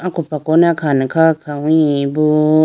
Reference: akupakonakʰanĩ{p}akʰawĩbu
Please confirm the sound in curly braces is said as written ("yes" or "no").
no